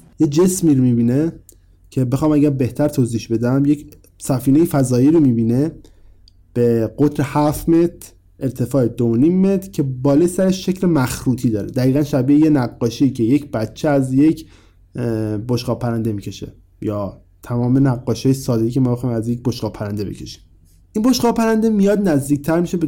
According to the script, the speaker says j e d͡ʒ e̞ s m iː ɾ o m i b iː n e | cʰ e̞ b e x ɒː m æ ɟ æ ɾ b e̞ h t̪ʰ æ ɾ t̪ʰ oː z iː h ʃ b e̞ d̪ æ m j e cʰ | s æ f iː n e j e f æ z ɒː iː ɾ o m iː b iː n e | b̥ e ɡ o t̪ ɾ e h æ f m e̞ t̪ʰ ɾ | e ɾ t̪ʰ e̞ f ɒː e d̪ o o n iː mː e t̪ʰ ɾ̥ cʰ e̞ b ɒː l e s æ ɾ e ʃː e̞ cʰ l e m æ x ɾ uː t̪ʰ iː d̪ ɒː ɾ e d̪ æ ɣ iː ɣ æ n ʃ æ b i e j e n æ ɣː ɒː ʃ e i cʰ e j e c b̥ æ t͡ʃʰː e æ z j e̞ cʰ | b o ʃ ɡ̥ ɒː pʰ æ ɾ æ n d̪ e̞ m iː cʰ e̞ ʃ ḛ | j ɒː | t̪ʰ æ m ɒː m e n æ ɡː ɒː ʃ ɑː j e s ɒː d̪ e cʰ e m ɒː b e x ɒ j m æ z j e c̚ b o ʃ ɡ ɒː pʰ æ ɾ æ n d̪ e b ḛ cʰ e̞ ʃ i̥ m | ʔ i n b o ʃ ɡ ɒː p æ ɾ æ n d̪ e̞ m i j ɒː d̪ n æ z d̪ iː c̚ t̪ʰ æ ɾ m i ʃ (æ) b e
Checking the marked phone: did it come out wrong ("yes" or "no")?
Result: yes